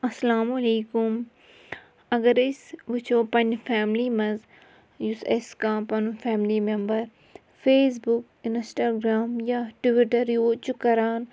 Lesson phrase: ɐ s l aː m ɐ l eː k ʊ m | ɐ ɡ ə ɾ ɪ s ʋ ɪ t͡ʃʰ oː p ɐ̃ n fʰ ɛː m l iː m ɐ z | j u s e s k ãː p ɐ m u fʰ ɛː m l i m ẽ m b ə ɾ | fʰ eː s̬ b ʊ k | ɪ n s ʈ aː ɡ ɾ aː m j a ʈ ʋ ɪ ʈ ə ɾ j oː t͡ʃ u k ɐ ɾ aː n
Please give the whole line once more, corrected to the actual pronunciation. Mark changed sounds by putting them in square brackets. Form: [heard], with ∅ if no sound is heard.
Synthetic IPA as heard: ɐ s l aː m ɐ l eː k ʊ m | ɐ ɡ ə ɾ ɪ s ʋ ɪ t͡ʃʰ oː p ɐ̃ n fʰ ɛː m l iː m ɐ z | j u s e s k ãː p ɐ [n] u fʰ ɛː m l i m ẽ m b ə ɾ | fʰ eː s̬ b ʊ k | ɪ n s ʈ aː ɡ ɾ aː m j a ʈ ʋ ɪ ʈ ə ɾ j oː t͡ʃ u k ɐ ɾ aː n